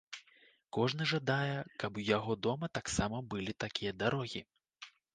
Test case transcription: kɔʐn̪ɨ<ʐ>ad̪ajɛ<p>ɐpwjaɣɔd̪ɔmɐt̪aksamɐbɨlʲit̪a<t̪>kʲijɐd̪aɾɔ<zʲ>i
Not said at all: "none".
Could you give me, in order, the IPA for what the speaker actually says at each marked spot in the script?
ʐ, k, none, ɣʲ

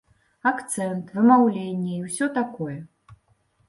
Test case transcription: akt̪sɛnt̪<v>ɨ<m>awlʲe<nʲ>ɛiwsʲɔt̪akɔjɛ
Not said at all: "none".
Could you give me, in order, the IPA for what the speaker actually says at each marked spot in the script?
v, m, nʲː

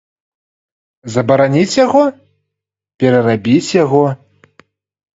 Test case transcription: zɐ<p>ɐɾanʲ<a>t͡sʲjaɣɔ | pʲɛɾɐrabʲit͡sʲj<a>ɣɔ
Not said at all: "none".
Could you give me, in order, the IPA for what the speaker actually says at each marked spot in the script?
b, i, a

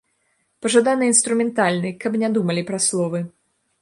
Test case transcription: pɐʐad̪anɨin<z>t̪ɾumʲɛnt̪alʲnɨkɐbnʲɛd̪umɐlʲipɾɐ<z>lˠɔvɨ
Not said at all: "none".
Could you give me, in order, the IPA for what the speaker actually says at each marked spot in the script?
s, s

